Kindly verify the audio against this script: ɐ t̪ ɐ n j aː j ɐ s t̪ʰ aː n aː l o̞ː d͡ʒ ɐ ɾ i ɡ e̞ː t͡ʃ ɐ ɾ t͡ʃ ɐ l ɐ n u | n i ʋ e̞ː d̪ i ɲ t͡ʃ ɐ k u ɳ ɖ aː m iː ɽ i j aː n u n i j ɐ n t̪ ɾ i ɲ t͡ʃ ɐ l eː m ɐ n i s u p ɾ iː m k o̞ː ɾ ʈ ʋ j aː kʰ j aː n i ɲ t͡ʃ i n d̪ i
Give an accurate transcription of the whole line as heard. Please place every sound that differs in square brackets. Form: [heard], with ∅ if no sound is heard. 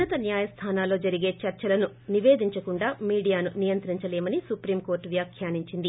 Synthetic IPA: ɐ t̪ ɐ n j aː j ɐ s t̪ʰ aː n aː l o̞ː d͡ʒ ɐ ɾ i ɡ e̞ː t͡ʃ ɐ ɾ t͡ʃ ɐ l ɐ n u | n i ʋ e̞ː d̪ i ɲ t͡ʃ ɐ k u ɳ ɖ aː m iː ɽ i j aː n u n i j ɐ n t̪ ɾ i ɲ t͡ʃ ɐ l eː m ɐ n i s u p ɾ iː m k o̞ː ɾ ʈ ʋ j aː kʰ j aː n i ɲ t͡ʃ i n d̪ i